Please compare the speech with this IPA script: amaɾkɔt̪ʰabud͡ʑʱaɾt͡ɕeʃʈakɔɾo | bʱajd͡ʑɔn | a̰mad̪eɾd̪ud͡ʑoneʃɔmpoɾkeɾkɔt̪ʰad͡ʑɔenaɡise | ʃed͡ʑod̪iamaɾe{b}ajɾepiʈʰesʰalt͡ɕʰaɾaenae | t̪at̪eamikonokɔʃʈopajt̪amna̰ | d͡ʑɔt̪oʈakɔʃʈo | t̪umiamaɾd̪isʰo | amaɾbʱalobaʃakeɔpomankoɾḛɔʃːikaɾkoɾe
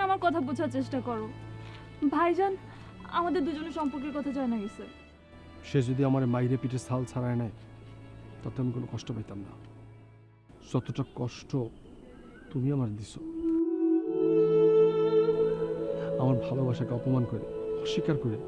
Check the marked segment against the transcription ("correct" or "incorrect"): incorrect